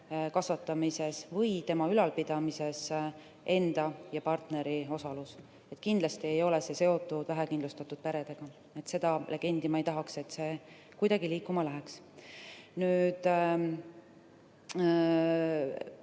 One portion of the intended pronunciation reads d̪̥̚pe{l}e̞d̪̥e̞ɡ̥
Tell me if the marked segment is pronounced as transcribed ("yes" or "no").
no